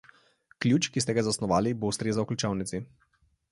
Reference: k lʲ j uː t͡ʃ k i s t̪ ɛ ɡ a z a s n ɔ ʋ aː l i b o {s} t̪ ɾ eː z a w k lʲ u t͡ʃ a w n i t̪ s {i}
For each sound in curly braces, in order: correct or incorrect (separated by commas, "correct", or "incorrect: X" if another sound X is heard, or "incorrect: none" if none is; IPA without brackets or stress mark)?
correct, correct